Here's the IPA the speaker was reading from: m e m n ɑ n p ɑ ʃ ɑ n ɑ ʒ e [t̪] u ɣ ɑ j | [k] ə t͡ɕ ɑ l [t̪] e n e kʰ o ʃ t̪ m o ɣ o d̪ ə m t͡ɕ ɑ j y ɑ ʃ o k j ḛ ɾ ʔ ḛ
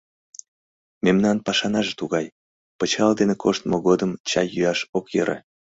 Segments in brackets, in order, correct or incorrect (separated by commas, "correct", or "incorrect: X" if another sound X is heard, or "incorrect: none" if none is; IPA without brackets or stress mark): correct, incorrect: p, incorrect: d̪